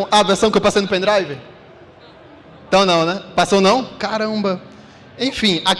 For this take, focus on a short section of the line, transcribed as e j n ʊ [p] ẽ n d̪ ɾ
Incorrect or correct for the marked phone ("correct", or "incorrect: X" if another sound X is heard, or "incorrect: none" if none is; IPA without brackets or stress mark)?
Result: correct